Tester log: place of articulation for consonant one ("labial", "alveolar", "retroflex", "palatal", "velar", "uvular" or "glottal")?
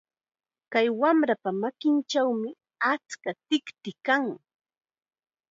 velar